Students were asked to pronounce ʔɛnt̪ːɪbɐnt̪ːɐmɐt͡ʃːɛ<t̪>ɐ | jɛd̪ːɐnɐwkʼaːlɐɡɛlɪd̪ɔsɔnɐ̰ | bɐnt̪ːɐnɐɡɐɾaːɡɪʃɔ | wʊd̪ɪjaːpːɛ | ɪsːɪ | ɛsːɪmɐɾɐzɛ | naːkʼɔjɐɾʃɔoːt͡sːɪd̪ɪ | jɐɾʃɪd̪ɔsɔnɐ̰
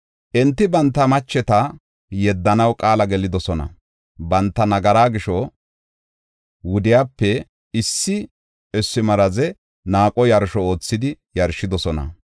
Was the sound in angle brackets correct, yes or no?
yes